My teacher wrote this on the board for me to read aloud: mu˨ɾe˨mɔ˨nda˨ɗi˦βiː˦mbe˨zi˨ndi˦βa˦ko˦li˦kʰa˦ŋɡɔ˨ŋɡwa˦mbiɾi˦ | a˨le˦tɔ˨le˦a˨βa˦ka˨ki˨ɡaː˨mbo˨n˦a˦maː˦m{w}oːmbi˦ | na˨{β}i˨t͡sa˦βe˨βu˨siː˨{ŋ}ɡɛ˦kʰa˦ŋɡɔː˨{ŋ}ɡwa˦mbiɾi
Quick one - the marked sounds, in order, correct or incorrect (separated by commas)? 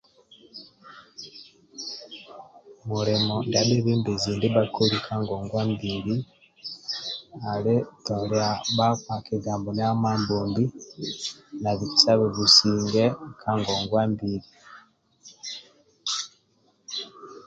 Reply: incorrect, correct, correct, correct